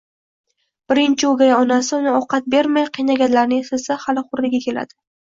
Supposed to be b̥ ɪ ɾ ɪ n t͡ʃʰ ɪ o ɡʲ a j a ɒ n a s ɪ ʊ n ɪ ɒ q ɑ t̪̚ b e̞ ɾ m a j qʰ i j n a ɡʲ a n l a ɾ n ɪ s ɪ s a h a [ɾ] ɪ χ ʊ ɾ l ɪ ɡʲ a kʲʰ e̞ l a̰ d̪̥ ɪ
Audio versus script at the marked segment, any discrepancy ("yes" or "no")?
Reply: yes